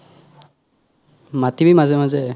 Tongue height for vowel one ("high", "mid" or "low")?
low